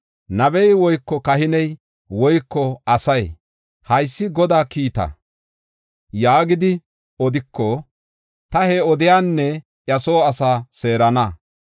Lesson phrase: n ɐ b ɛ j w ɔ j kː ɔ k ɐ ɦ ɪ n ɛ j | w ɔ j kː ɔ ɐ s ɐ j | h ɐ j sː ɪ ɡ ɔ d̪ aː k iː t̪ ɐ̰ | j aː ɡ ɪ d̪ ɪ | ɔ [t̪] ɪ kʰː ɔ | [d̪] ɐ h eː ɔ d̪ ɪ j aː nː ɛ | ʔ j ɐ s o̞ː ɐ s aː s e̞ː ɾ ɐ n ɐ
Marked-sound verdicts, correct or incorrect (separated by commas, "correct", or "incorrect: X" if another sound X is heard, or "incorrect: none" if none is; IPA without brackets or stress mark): incorrect: d̪, incorrect: t̪